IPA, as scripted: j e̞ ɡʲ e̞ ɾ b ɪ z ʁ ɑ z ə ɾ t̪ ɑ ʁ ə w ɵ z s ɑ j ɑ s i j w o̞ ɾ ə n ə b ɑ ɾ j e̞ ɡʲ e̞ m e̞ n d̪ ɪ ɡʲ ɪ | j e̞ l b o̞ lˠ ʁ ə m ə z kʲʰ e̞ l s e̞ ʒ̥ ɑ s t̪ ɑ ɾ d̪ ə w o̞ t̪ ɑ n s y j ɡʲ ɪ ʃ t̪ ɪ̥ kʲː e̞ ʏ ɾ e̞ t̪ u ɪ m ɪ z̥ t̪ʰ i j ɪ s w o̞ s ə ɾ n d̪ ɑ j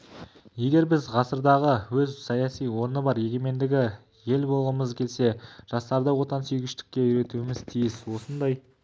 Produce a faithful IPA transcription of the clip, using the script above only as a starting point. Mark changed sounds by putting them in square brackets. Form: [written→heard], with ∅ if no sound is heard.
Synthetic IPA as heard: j e̞ ɡʲ e̞ ɾ b ɪ z ʁ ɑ [z→s] ə ɾ [t̪→d̪] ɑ ʁ ə w ɵ z s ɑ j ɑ s i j w o̞ ɾ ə n ə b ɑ ɾ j e̞ ɡʲ e̞ m e̞ n d̪ ɪ ɡʲ ɪ | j e̞ l b o̞ lˠ ʁ ə m ə z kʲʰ e̞ l s e̞ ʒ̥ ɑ s t̪ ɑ ɾ d̪ ə w o̞ t̪ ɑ n s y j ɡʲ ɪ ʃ t̪ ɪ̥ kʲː e̞ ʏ ɾ e̞ t̪ u ɪ m ɪ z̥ t̪ʰ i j ɪ s w o̞ s ə [ɾ→∅] n d̪ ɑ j